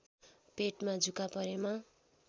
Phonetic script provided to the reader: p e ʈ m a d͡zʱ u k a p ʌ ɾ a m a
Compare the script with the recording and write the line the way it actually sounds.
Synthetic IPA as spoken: p e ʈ m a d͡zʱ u k a p ʌ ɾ e m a